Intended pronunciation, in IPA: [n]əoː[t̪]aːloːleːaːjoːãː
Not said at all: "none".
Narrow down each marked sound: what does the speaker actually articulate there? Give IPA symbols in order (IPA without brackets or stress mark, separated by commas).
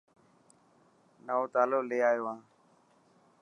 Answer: n, t̪